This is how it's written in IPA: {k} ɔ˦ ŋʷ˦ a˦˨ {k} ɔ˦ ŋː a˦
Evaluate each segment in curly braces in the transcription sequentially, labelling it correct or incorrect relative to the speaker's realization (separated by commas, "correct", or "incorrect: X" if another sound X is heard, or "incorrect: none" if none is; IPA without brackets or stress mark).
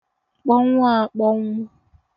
incorrect: k͡p, incorrect: k͡p